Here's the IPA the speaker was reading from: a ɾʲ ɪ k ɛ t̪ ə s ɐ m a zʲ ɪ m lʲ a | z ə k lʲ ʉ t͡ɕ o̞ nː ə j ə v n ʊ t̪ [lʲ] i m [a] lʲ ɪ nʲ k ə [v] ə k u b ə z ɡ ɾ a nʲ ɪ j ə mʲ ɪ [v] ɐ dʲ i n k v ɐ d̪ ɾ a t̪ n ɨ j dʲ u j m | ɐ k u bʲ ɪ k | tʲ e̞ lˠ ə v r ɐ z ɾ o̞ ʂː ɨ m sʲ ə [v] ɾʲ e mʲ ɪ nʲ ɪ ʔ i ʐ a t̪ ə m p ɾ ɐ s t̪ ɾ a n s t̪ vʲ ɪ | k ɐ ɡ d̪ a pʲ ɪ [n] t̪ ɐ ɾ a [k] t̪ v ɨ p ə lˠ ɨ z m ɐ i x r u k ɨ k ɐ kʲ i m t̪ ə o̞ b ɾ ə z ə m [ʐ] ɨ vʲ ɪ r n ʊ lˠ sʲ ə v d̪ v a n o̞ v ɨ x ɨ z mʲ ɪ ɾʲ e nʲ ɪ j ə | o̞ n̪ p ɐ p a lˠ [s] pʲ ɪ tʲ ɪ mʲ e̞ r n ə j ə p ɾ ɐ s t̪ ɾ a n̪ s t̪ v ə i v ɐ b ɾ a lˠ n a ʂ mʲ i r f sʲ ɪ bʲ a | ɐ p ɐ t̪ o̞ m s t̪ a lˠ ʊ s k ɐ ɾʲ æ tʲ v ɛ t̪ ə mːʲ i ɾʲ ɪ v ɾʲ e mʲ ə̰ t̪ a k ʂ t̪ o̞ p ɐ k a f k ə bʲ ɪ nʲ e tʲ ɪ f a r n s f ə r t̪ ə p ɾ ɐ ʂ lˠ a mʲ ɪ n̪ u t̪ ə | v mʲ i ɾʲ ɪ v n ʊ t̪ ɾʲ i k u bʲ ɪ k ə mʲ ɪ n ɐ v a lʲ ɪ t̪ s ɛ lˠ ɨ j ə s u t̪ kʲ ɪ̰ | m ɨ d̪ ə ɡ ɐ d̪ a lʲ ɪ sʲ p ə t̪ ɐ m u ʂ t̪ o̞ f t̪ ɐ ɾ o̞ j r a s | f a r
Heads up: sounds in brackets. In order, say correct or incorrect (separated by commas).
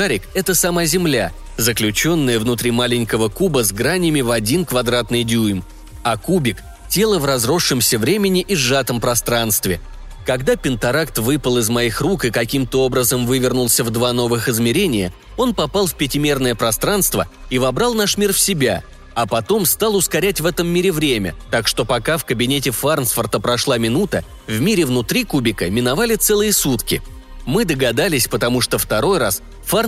incorrect, correct, correct, correct, correct, correct, correct, incorrect, incorrect